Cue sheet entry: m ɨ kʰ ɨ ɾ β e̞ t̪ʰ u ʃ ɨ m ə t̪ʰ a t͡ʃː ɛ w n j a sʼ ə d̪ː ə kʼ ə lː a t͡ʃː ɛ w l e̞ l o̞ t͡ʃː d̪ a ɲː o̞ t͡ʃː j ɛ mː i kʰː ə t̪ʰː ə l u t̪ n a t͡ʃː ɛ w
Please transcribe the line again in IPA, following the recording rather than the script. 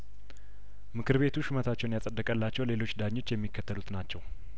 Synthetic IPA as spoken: m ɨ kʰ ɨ ɾ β e̞ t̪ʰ u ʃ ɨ m ə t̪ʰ a t͡ʃː ɛ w n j a sʼ ə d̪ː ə kʼ ə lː a t͡ʃː ɛ w l e̞ l o̞ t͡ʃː d̪ a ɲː o̞ t͡ʃː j ɛ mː i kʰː ə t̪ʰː ə l u t̪ n a t͡ʃː ɛ w

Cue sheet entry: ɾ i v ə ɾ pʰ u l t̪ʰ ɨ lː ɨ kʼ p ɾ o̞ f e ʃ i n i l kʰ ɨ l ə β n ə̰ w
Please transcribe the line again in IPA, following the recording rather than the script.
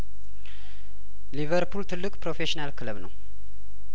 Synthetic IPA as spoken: l i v ə ɾ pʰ u l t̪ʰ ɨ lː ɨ kʼ p ɾ o̞ f e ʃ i n a l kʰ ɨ l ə β n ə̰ w

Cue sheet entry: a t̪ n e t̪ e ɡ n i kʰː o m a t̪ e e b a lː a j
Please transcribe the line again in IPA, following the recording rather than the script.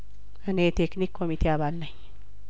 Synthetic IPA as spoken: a n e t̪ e k n i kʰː o m i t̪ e a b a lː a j

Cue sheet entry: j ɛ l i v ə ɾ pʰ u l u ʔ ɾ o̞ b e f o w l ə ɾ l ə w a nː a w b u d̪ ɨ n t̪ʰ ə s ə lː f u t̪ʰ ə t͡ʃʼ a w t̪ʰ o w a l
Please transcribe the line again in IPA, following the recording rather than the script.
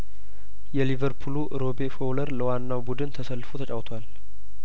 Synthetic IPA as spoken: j ɛ l i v ə ɾ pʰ u l u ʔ ɾ o̞ b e f o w l ə ɾ l ə w a nː a w b u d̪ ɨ n t̪ʰ ə s ə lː f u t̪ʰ ə t͡ʃʼ a w t̪ʰ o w a l

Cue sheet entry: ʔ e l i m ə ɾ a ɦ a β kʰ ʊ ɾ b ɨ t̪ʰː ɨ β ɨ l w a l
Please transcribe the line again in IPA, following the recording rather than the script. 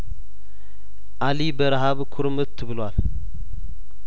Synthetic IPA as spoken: ʔ a l i b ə ɾ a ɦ a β kʰ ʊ ɾ m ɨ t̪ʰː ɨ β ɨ l w a l

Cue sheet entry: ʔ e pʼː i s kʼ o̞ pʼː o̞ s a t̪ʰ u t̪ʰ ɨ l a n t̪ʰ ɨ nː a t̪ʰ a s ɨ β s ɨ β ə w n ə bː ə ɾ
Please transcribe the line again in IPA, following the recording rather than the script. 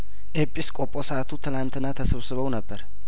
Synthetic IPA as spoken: ʔ e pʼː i s kʼ o̞ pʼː o̞ s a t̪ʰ u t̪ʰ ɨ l a n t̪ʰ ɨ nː a t̪ʰ ə s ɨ β s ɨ β ə w n ə bː ə ɾ

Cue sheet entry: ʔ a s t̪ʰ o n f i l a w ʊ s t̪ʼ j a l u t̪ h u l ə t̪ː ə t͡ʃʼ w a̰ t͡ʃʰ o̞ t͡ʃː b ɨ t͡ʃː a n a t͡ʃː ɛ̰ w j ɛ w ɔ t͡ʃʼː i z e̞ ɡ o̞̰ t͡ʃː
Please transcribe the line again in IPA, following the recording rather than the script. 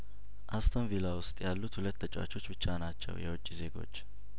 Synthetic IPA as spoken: ʔ a s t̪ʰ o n v i l a w ʊ s t̪ʼ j a lː u t̪ h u l ə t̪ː ə t͡ʃʼ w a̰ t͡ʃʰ o̞ t͡ʃː b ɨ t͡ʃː a n a t͡ʃː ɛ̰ w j ɛ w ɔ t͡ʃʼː i z e̞ ɡ o̞̰ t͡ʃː

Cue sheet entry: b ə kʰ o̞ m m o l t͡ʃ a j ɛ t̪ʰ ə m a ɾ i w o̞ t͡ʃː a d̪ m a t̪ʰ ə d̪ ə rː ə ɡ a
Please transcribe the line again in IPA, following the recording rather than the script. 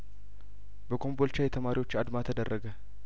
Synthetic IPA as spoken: b ə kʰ o̞ m b o l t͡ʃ a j ɛ t̪ʰ ə m a ɾ i w o̞ t͡ʃː a d̪ m a t̪ʰ ə d̪ ə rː ə ɡ ə

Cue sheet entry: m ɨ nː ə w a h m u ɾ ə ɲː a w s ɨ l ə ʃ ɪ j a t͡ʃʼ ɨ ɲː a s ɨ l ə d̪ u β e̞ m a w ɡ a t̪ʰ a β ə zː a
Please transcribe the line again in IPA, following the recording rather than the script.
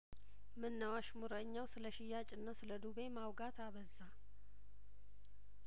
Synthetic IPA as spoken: m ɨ nː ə w a ʃ m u ɾ ə ɲː a w s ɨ l ə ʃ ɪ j a t͡ʃʼ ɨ nː a s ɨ l ə d̪ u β e̞ m a w ɡ a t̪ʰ a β ə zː a

